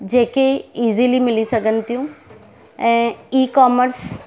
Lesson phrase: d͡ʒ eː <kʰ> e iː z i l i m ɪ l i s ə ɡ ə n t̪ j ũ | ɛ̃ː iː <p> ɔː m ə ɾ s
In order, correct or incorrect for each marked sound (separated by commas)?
incorrect, incorrect